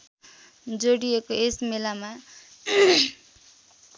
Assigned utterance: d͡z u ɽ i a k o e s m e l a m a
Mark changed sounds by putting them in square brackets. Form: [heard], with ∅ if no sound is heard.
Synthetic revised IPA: d͡z [o] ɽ i [e] k o e s m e l a m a